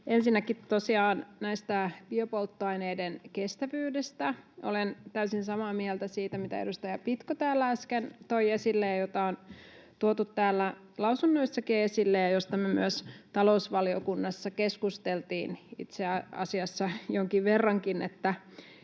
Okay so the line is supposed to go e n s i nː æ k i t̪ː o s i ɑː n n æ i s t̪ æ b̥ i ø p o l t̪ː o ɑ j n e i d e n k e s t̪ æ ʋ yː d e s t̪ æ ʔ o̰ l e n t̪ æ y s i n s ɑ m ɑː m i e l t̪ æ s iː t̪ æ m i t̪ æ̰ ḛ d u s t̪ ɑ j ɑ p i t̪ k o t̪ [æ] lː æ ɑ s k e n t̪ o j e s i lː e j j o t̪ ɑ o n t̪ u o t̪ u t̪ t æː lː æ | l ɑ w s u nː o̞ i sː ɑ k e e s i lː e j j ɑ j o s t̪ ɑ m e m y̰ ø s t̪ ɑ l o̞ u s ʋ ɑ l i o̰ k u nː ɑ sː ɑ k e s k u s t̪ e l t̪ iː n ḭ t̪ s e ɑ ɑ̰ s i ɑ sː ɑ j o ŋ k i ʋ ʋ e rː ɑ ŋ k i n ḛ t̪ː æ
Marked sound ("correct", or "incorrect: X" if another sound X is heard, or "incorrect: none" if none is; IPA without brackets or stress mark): incorrect: æː